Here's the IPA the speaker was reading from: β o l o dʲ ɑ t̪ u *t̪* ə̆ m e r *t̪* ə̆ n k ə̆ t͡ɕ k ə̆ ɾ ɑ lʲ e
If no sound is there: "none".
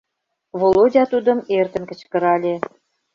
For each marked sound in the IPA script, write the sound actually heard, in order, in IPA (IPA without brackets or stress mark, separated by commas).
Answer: d̪, t̪